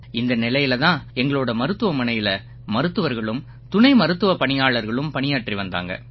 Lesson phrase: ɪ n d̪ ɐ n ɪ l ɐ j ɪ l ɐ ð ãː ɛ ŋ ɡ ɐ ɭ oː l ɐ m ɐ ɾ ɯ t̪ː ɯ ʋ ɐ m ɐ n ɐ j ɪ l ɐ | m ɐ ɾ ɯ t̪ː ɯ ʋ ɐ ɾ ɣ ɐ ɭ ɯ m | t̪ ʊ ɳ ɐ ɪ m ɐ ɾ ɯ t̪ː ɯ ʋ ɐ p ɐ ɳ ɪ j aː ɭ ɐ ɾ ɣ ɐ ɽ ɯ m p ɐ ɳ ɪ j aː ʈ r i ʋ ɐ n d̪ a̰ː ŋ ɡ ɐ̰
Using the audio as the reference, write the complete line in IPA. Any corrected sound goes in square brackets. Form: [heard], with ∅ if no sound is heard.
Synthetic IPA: ɪ n d̪ ɐ n ɪ l ɐ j ɪ l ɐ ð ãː ɛ ŋ ɡ ɐ ɭ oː [ɽ] ɐ m ɐ ɾ ɯ t̪ː ɯ ʋ ɐ m ɐ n ɐ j ɪ l ɐ | m ɐ ɾ ɯ t̪ː ɯ ʋ ɐ ɾ ɣ ɐ ɭ ɯ m | t̪ ʊ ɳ ɐ ɪ m ɐ ɾ ɯ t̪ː ɯ ʋ ɐ p ɐ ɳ ɪ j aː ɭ ɐ ɾ ɣ ɐ [ɭ] ɯ m p ɐ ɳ ɪ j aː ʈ r i ʋ ɐ n d̪ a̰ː ŋ ɡ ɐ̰

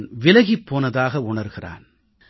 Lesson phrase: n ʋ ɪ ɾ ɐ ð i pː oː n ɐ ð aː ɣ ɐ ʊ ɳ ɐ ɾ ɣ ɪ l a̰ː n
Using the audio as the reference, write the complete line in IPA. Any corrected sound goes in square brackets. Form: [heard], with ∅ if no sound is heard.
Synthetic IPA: n ʋ ɪ [l] ɐ [ɣ] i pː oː n ɐ ð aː ɣ ɐ ʊ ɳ ɐ ɾ ɣ ɪ [r] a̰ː n

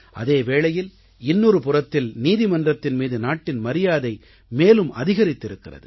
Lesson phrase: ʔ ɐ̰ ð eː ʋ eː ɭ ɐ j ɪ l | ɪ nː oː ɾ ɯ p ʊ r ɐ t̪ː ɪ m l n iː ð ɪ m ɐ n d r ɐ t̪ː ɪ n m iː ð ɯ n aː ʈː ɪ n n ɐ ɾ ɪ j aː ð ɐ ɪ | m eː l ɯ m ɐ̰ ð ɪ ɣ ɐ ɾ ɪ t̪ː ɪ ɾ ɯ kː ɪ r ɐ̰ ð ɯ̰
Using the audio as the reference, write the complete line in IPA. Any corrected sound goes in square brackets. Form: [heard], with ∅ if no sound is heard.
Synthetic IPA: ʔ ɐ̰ ð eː ʋ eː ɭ ɐ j ɪ l | ɪ nː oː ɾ ɯ p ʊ r ɐ t̪ː ɪ [∅] l n iː ð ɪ m ɐ n d r ɐ t̪ː ɪ n m iː ð ɯ n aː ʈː ɪ n [m] ɐ ɾ ɪ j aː ð ɐ ɪ | m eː l ɯ m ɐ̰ ð ɪ ɣ ɐ ɾ ɪ t̪ː ɪ ɾ ɯ kː ɪ r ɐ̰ ð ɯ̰

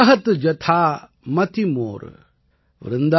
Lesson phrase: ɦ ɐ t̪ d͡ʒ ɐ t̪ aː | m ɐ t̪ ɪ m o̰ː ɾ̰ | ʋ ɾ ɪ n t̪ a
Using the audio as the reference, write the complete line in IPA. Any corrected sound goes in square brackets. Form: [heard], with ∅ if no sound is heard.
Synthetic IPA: ɦ ɐ t̪ d͡ʒ ɐ [t̪ʰ] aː | m ɐ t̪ [i] m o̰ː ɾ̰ | ʋ ɾ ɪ n [d̪] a

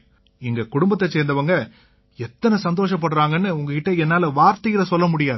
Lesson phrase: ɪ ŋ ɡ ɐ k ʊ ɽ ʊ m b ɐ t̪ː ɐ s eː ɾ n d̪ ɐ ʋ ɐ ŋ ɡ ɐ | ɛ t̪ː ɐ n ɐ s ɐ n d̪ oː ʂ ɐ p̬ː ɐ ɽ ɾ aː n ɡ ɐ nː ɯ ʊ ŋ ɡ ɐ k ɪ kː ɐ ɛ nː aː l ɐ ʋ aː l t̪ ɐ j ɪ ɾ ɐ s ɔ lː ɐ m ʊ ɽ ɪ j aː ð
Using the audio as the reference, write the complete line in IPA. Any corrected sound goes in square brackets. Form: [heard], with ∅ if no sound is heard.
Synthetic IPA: ɪ ŋ ɡ ɐ k ʊ ɽ ʊ m b ɐ t̪ː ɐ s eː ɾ n d̪ ɐ ʋ ɐ ŋ ɡ ɐ | ɛ t̪ː ɐ n ɐ s ɐ n d̪ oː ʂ ɐ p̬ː ɐ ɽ ɾ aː [ŋ] ɡ ɐ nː ɯ ʊ ŋ ɡ ɐ k ɪ [ʈː] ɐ ɛ nː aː l ɐ ʋ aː [ɾ] t̪ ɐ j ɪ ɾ ɐ s ɔ lː ɐ m ʊ ɽ ɪ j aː ð

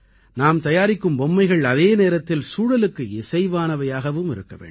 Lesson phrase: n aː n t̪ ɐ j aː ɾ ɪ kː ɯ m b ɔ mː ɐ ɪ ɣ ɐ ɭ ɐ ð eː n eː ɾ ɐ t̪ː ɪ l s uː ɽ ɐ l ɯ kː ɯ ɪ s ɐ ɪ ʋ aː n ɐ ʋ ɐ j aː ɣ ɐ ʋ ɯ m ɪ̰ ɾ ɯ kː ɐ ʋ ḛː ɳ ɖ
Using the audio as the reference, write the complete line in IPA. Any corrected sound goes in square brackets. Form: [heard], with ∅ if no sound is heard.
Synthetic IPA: n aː [m] t̪ ɐ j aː ɾ ɪ kː ɯ m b ɔ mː ɐ ɪ ɣ ɐ ɭ ɐ ð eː n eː ɾ ɐ t̪ː ɪ l s uː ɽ ɐ l ɯ kː ɯ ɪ s ɐ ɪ ʋ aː n ɐ ʋ ɐ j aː ɣ ɐ ʋ ɯ m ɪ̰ ɾ ɯ kː ɐ ʋ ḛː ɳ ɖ

